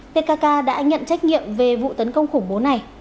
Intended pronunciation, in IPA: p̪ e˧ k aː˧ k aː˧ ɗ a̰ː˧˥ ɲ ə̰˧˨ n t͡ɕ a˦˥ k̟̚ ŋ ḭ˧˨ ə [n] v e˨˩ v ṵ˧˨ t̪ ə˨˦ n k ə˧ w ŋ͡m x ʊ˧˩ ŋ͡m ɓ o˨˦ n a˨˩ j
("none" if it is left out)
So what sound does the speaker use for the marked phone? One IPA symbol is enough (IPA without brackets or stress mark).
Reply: m